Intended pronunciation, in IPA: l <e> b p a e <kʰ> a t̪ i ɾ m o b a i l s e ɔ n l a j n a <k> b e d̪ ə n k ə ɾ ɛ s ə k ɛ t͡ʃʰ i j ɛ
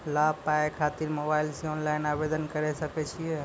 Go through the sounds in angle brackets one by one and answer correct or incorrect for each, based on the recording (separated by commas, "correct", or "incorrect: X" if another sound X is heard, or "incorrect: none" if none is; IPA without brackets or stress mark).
incorrect: a, correct, incorrect: none